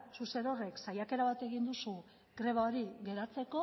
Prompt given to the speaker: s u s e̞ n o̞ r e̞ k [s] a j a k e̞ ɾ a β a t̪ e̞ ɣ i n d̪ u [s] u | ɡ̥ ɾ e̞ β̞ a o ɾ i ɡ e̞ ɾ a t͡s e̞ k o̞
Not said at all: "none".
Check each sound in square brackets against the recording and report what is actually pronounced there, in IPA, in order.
s, s

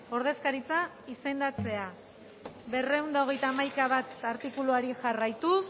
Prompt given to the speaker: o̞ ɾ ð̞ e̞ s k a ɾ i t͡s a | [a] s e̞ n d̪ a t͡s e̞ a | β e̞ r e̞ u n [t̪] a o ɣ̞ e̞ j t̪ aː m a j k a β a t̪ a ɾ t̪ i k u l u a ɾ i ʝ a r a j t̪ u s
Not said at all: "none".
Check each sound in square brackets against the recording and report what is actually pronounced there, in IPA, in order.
i, d̪

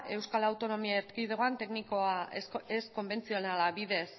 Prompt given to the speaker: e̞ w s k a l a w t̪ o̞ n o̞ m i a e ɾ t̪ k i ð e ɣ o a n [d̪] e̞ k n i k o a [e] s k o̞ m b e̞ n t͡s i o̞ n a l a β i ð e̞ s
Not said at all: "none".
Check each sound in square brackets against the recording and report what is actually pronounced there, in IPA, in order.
t̪, e

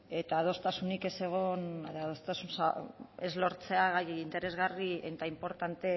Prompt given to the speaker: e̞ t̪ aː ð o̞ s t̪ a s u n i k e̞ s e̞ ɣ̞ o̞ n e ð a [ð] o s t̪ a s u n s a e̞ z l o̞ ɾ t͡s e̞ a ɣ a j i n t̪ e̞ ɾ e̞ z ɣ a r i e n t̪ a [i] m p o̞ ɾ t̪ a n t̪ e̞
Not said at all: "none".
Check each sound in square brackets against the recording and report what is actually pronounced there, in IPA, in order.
ð, i

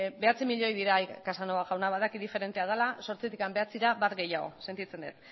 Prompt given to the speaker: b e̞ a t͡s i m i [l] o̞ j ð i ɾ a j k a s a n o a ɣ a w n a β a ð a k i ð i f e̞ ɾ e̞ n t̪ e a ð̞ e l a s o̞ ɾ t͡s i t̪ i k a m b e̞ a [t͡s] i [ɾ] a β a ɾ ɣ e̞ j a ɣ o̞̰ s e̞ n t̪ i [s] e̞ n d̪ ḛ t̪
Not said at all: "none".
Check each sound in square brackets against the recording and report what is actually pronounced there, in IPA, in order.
ʎ, t͡s, ɾ, t͡s

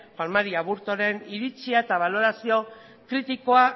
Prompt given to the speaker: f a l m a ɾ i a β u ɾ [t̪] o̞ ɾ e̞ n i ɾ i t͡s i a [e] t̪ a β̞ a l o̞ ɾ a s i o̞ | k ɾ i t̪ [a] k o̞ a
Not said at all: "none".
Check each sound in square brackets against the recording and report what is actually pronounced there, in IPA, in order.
t̪, e, i

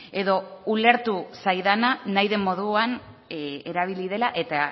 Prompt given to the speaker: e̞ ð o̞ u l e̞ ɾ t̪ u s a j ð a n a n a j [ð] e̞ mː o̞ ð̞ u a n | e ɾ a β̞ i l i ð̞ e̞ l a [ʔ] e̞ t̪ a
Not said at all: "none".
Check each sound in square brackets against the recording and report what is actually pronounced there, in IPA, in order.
ð, ʔ

